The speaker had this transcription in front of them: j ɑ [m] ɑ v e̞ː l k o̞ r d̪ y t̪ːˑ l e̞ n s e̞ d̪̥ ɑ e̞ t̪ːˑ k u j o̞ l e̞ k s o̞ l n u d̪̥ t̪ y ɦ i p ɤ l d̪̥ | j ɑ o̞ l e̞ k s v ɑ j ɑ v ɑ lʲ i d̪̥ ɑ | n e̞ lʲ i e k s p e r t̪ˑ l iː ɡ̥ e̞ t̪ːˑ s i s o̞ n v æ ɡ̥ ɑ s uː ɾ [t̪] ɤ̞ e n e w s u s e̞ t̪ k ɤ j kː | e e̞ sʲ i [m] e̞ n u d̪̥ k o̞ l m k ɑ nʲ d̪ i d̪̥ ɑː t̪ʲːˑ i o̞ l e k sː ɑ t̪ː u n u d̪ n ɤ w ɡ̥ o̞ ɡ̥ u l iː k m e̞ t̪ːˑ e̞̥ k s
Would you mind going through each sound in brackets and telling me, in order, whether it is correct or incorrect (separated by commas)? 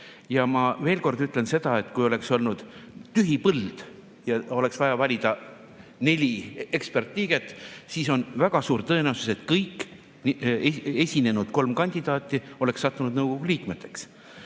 correct, correct, incorrect